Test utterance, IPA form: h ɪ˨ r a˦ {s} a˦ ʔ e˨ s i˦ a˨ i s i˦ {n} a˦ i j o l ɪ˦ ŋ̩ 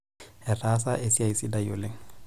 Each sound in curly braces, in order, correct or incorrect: correct, incorrect: d

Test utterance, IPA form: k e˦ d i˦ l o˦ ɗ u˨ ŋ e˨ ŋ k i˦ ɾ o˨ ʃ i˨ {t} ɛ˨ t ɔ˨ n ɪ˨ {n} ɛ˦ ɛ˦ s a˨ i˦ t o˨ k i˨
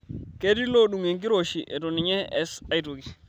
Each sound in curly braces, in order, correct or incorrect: incorrect: ʔ, incorrect: ɲ

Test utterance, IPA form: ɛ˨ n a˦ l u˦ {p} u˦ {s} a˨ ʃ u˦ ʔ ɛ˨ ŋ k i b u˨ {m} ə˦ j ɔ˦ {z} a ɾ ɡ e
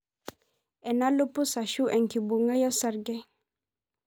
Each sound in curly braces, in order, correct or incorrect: correct, correct, incorrect: ŋ, incorrect: s

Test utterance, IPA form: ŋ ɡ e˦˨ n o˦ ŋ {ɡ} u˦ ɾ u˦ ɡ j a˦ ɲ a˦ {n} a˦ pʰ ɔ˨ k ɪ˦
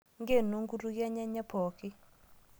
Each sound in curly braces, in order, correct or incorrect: correct, incorrect: ɲ

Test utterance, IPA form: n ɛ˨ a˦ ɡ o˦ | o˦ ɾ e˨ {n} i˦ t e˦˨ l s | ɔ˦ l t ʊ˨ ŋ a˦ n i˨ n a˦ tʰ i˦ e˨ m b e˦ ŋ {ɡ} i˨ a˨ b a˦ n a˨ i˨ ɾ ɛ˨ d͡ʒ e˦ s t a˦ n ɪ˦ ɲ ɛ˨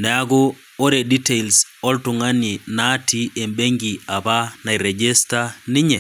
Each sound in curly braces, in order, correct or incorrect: incorrect: d, correct

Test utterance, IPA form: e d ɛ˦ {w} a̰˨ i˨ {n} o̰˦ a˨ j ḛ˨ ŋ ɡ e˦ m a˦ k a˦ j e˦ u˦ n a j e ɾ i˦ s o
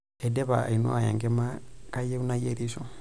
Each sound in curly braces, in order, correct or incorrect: incorrect: β, correct

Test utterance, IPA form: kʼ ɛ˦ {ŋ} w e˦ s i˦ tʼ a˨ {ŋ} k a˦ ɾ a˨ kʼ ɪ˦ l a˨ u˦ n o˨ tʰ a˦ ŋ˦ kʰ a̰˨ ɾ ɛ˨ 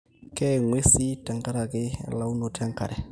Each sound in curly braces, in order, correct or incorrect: correct, correct

